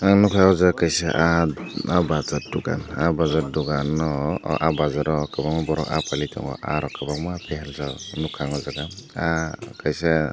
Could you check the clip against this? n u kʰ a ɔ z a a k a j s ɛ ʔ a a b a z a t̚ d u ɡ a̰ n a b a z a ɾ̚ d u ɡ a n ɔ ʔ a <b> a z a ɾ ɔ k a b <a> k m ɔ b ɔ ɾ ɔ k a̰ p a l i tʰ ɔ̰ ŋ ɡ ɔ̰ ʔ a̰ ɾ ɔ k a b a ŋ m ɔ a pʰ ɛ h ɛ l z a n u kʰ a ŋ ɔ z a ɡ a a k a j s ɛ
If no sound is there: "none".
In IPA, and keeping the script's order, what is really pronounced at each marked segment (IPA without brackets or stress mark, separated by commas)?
b, a